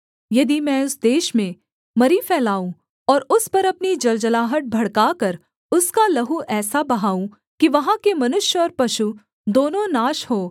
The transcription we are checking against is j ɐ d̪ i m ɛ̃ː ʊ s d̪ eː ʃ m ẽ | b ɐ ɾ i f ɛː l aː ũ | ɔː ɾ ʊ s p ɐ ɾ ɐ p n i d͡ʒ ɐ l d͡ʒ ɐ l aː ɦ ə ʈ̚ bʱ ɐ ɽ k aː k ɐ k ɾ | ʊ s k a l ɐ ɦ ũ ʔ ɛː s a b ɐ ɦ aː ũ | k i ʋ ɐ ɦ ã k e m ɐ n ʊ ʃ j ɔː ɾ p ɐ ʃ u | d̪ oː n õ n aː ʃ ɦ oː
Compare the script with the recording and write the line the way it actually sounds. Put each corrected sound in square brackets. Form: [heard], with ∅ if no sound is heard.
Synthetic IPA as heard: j ɐ d̪ i m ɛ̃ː ʊ s d̪ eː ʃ m ẽ | [m] ɐ ɾ i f ɛː l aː ũ | ɔː ɾ ʊ s p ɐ ɾ ɐ p n i d͡ʒ ɐ l d͡ʒ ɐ l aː ɦ ə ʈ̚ bʱ ɐ ɽ k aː k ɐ [∅] ɾ | ʊ s k a l ɐ ɦ [u] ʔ ɛː s a b ɐ ɦ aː ũ | k i ʋ ɐ ɦ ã k e m ɐ n ʊ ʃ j ɔː ɾ p ɐ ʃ u | d̪ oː n õ n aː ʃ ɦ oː